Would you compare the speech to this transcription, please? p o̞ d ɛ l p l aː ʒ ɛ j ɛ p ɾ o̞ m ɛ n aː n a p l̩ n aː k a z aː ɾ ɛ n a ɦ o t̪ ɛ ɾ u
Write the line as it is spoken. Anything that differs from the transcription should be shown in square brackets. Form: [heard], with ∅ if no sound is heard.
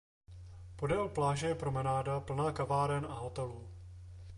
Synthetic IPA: p o̞ d ɛ l p l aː ʒ ɛ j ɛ p ɾ o̞ m ɛ n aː [d] a p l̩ n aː k a [v] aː ɾ ɛ n a ɦ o t̪ ɛ [l] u